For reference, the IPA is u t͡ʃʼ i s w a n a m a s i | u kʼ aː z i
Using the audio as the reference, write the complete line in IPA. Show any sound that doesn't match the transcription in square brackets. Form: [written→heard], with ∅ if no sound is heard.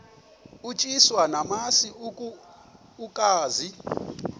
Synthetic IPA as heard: u t͡ʃʼ i s w a n a m a s i | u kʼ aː z i